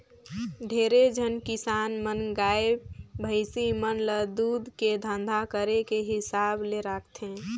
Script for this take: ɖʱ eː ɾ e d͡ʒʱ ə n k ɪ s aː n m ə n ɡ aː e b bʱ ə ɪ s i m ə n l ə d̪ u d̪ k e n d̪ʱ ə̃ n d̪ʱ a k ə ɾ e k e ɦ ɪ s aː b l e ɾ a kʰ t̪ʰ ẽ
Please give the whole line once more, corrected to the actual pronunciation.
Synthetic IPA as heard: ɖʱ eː ɾ e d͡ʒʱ ə n k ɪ s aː n m ə n ɡ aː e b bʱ ə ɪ s i m ə n l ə d̪ u d̪ k e d̪ʱ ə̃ n d̪ʱ a k ə ɾ e k e ɦ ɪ s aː b l e ɾ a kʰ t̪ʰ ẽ